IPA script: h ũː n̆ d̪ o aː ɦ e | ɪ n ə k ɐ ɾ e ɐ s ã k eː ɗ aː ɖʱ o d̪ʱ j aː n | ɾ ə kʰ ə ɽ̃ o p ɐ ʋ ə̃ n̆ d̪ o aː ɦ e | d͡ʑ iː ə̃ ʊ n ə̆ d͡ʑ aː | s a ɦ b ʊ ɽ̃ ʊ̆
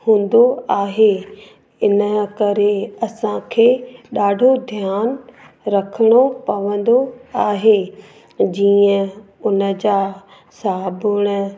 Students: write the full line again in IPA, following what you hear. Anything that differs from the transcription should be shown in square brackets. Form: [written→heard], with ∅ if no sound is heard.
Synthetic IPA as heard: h ũː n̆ d̪ o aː ɦ e | ɪ n ə k ɐ ɾ e ɐ s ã [k→kʰ] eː ɗ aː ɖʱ o d̪ʱ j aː n | ɾ [ə→ɐ] kʰ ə ɽ̃ o p ɐ ʋ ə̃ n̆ d̪ o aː ɦ e | d͡ʑ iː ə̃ ʊ n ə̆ d͡ʑ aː | s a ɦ b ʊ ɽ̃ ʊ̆